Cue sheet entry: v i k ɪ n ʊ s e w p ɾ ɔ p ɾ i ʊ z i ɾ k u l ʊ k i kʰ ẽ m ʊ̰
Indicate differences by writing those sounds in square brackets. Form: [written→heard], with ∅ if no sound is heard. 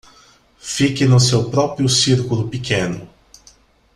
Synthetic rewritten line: [v→f] i k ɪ n ʊ s e w p ɾ ɔ p ɾ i ʊ [z→s] i ɾ k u l ʊ [k→p] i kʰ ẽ [m→n] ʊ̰